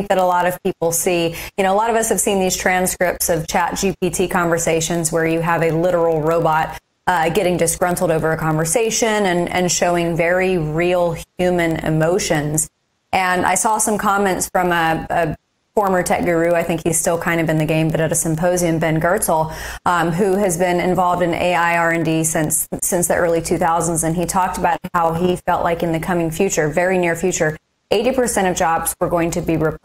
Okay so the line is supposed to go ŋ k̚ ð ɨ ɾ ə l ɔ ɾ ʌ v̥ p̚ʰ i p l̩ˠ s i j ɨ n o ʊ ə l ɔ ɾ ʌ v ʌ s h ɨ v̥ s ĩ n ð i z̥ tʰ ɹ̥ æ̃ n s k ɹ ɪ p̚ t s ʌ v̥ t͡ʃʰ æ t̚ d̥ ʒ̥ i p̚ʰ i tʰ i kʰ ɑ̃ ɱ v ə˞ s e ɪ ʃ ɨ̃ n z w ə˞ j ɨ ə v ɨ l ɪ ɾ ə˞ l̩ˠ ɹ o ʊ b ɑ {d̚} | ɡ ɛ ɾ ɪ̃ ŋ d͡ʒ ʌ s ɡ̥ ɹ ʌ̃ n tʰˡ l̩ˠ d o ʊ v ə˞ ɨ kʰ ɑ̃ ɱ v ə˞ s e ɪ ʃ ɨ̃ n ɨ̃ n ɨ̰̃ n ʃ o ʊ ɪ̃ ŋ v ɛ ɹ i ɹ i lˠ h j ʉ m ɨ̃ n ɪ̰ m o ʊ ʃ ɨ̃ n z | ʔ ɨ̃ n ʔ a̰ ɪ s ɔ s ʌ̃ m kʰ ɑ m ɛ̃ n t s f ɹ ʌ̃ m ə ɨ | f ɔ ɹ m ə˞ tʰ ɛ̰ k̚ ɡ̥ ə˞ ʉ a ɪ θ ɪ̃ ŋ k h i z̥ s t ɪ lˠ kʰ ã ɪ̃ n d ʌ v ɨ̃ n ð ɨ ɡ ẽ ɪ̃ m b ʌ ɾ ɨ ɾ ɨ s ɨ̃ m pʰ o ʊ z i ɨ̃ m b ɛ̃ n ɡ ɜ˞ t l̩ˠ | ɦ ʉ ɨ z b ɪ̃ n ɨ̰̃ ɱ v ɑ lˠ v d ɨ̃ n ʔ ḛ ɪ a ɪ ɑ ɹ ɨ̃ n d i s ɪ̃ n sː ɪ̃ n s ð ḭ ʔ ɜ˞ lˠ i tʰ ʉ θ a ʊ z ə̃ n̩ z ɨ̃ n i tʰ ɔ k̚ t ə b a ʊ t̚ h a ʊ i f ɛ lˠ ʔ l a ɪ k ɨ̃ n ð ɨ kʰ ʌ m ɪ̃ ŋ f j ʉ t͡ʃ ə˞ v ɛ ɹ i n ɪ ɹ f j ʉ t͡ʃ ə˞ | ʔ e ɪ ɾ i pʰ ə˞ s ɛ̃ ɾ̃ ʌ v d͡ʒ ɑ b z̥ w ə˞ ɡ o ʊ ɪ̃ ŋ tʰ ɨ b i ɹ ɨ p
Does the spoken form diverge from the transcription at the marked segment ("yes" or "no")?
yes